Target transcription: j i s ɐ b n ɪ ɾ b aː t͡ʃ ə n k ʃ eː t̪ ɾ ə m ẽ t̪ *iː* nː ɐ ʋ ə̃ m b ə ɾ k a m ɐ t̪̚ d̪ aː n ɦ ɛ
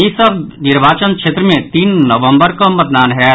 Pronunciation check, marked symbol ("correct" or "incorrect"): correct